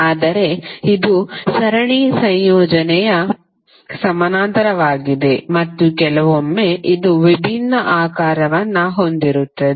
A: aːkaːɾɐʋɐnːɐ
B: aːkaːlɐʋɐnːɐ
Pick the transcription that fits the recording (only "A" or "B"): A